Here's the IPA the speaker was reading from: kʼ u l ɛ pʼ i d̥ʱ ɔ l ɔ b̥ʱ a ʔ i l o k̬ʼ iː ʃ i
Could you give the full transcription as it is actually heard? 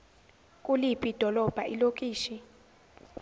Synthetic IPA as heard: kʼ u l i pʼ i d̥ʱ ɔ l ɔ b̥ʱ a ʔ i l o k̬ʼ iː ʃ i